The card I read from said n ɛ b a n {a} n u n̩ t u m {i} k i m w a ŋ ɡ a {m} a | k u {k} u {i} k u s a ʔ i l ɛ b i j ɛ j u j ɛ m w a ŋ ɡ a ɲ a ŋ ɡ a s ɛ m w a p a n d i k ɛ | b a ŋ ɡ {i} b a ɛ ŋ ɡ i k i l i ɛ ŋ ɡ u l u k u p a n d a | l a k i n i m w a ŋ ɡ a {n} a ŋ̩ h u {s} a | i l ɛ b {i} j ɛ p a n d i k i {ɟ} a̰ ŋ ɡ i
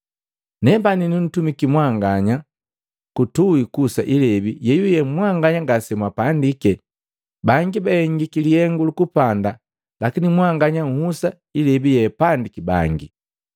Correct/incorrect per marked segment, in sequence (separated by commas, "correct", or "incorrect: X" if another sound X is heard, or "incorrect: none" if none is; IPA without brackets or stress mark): incorrect: i, correct, incorrect: ɲ, incorrect: t, correct, correct, incorrect: ɲ, correct, correct, incorrect: b